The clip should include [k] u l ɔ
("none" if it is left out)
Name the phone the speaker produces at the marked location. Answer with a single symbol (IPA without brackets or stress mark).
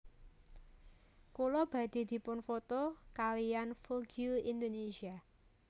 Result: k